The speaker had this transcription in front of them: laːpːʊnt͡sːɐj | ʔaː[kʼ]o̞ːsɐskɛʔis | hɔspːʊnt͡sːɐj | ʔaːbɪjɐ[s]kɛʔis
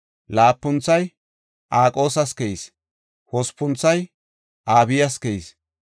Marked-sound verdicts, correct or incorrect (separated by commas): correct, correct